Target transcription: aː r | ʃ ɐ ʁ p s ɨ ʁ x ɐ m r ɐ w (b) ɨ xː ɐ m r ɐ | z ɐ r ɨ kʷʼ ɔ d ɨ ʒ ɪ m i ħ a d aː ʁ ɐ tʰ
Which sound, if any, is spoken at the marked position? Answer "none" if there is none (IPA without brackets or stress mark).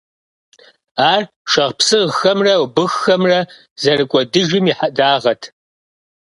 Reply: b